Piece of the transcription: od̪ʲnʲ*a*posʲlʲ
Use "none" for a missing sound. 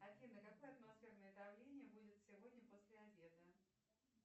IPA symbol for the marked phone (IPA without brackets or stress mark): ə